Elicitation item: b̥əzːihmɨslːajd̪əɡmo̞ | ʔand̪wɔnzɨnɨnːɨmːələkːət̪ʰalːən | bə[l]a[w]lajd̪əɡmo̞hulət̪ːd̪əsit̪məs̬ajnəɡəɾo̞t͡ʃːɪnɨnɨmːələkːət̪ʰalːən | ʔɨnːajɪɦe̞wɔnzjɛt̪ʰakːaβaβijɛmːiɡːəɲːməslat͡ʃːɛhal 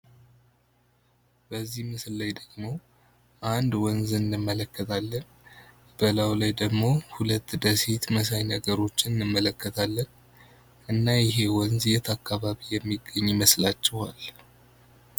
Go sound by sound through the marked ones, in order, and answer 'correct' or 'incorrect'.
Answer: correct, correct

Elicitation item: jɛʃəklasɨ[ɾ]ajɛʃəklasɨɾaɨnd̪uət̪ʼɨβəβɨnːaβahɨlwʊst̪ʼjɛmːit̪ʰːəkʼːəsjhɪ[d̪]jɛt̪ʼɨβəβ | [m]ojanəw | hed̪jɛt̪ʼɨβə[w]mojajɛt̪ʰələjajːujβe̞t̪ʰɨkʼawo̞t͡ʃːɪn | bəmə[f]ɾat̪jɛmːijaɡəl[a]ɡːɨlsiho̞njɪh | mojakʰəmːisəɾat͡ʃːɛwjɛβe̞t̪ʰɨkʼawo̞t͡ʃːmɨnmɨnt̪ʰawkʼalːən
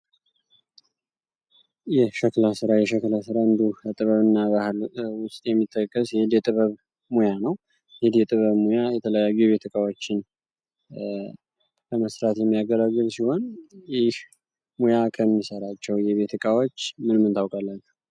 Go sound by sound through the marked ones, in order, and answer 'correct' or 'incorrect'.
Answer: correct, correct, correct, incorrect, incorrect, correct

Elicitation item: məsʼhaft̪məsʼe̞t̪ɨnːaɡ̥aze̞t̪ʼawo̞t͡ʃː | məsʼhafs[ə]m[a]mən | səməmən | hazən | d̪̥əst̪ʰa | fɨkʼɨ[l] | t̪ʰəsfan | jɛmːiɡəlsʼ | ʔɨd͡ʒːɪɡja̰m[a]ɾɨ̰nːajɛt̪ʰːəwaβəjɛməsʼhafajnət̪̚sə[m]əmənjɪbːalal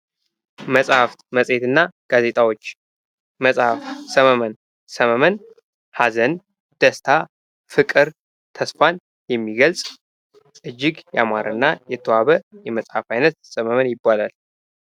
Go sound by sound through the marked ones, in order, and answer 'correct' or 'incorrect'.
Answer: correct, incorrect, incorrect, correct, correct

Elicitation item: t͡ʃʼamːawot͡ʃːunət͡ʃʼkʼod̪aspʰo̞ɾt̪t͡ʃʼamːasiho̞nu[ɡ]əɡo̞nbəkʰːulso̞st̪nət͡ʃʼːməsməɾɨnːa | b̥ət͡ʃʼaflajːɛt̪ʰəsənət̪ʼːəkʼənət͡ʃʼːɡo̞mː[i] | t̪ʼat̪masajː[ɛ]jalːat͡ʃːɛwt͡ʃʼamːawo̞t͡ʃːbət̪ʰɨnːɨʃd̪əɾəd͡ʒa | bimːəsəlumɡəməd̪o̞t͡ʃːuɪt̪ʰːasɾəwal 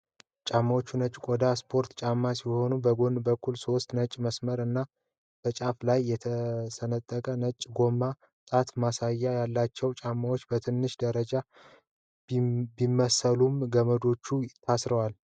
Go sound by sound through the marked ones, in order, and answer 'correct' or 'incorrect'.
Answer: incorrect, incorrect, incorrect

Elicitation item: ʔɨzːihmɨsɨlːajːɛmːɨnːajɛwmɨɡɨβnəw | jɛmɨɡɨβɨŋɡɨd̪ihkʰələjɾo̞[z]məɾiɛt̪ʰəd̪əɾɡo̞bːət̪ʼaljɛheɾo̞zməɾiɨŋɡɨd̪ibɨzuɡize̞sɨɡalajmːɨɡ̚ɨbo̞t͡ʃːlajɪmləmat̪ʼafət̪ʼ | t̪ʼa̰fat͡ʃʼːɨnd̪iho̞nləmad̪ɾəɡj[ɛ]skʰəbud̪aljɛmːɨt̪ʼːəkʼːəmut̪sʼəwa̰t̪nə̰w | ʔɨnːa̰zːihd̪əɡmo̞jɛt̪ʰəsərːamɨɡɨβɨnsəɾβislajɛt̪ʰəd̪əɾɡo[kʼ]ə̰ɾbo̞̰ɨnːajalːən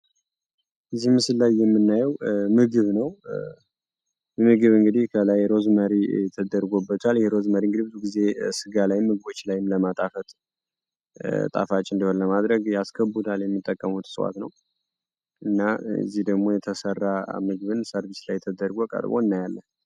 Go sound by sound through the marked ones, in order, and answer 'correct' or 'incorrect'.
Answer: correct, incorrect, correct

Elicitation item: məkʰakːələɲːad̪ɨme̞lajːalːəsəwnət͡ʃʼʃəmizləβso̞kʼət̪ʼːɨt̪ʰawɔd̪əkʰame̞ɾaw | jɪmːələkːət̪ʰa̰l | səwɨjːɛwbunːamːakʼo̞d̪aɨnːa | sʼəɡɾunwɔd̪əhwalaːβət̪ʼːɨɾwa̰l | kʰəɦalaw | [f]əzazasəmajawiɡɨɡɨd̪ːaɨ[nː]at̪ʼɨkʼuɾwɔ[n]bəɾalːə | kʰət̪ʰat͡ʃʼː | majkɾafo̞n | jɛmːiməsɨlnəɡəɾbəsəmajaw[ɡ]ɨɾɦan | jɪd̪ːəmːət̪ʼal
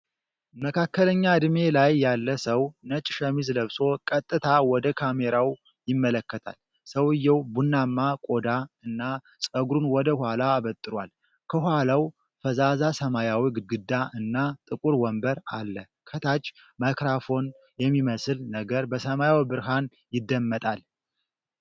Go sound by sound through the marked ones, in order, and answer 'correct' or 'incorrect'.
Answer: correct, correct, incorrect, incorrect

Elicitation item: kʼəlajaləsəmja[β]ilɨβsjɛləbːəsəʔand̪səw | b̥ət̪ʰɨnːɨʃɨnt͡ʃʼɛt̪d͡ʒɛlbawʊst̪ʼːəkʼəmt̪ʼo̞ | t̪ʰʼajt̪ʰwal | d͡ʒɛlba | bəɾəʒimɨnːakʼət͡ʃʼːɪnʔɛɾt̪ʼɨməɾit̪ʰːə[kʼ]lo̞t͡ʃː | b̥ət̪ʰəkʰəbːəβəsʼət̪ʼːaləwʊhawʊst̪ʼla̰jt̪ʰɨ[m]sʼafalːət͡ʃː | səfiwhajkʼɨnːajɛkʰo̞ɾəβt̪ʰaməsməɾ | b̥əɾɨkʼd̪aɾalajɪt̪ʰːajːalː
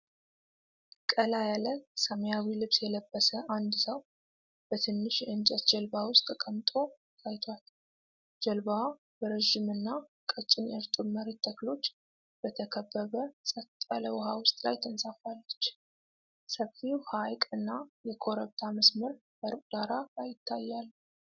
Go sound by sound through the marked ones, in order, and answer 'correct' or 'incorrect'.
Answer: incorrect, incorrect, incorrect

